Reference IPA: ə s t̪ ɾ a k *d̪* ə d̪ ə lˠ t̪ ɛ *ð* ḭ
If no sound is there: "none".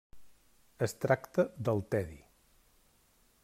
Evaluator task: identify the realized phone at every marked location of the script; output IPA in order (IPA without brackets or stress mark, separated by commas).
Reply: t̪, ð